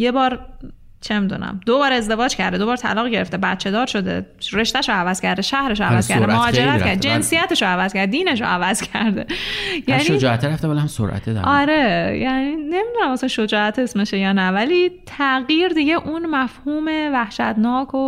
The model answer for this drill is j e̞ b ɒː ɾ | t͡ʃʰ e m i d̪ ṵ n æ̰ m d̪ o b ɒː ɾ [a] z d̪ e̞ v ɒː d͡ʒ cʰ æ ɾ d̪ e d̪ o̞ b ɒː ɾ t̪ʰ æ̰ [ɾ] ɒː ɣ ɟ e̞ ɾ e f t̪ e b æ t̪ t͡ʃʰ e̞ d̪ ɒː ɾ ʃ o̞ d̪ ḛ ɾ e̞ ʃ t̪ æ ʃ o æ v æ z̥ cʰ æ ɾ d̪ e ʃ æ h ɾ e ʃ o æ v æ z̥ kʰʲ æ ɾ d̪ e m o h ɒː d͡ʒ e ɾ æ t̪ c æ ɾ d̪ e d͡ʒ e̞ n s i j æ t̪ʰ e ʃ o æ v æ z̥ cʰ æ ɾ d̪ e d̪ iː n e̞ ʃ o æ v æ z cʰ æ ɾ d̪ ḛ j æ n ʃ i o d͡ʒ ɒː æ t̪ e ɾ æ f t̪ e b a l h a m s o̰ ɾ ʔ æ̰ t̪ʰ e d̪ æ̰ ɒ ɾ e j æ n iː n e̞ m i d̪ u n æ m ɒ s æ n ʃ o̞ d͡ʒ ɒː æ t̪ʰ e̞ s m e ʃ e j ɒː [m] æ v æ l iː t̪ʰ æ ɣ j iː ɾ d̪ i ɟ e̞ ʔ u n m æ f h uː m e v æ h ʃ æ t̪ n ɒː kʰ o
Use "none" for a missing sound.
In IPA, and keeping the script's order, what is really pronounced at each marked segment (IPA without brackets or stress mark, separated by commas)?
e, l, n